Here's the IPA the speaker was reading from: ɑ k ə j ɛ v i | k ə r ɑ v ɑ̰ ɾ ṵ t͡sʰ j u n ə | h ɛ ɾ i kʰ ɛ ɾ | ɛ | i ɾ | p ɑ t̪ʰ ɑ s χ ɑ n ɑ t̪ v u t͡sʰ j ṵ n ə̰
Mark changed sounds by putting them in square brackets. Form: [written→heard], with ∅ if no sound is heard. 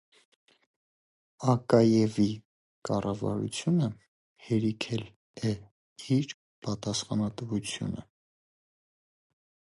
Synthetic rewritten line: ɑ k [ə→ɑ] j ɛ v i | k [ə→ɑ] r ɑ v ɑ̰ ɾ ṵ t͡sʰ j u n ə | h ɛ ɾ i kʰ ɛ [ɾ→l] | ɛ | i ɾ | p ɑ [t̪ʰ→t̪] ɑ s χ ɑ n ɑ t̪ v u t͡sʰ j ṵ n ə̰